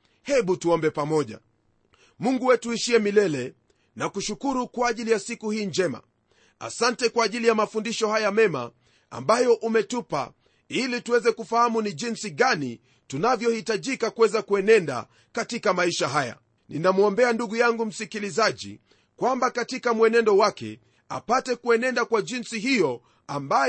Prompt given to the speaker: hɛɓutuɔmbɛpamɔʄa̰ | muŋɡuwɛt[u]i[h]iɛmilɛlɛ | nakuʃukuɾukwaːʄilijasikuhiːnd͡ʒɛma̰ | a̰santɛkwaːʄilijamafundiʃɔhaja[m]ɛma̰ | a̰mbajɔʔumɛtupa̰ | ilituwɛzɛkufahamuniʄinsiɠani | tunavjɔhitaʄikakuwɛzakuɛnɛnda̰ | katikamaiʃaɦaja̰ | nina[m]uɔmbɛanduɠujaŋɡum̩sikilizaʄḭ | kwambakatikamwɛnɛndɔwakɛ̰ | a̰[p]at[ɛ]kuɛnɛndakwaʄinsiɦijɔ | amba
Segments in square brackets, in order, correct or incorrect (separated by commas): correct, incorrect, correct, correct, correct, correct